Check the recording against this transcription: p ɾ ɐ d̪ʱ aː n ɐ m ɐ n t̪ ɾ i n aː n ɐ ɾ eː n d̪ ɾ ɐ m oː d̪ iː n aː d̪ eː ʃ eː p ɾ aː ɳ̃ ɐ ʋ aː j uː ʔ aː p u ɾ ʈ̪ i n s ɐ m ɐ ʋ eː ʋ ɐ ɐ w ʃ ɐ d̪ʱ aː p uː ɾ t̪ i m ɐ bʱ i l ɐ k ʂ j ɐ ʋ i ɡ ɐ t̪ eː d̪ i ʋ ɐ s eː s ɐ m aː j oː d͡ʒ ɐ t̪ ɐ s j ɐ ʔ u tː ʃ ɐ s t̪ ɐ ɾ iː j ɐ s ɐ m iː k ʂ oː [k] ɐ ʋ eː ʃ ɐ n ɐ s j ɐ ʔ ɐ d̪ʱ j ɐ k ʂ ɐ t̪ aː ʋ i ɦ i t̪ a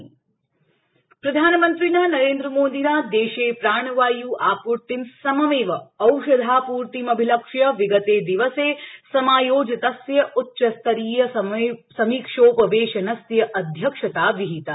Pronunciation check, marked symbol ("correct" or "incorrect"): incorrect